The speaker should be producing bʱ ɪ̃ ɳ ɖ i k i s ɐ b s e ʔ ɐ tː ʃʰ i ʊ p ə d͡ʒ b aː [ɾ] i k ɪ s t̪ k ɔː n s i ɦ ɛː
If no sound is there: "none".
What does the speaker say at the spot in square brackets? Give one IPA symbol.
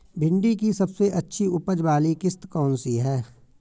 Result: l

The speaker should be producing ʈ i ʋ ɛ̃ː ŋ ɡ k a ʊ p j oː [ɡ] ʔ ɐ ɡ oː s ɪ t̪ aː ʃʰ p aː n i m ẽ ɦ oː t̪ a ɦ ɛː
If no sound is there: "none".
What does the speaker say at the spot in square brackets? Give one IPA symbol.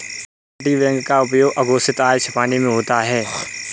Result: ɡ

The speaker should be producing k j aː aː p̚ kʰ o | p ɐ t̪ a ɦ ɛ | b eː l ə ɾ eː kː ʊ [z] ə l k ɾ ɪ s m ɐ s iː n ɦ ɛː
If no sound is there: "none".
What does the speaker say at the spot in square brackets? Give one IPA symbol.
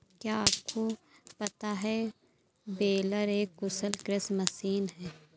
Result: s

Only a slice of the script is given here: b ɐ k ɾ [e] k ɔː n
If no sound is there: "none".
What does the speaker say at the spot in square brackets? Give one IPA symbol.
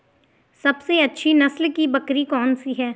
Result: i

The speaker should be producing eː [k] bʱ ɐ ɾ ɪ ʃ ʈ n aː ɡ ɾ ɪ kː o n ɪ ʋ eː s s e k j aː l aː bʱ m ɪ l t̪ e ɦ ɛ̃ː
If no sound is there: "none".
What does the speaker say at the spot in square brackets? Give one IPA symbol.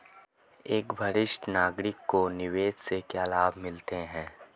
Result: k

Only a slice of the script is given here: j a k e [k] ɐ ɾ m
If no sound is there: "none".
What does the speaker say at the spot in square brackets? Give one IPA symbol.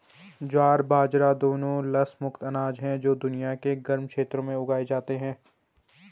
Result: ɡ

